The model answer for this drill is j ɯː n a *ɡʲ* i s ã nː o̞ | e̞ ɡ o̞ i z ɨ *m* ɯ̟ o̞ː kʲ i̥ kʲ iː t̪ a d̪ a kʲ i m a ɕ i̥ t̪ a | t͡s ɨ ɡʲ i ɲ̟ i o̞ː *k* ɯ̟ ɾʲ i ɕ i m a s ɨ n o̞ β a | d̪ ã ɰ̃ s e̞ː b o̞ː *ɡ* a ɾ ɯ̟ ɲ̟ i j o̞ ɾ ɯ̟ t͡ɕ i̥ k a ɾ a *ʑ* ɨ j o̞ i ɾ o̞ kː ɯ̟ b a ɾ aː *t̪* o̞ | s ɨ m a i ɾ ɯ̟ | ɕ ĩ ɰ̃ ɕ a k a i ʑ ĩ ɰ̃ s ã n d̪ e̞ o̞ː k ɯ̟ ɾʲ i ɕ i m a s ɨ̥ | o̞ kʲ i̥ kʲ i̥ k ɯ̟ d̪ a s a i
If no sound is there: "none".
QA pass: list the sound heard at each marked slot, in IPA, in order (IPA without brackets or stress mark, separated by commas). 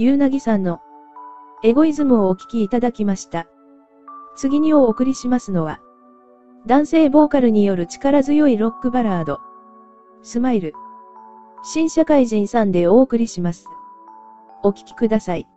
ɡʲ, m, k, k, z, d̪